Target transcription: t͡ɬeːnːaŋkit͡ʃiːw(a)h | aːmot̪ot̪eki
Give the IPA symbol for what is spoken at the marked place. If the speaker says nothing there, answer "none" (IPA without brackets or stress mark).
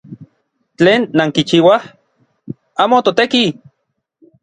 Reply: a